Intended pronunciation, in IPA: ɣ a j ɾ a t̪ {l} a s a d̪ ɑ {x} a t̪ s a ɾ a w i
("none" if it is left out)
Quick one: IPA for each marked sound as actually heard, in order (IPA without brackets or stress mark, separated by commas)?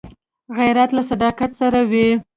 l, k